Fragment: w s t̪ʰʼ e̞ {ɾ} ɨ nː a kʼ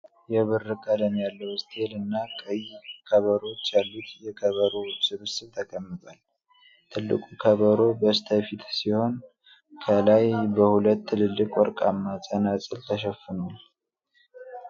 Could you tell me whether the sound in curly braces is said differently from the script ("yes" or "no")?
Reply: yes